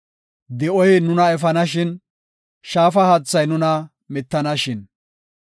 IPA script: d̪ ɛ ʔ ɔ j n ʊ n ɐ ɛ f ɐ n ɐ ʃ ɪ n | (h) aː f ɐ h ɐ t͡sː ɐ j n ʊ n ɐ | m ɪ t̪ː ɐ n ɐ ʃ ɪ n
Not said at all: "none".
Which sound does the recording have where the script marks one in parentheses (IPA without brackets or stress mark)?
ʃ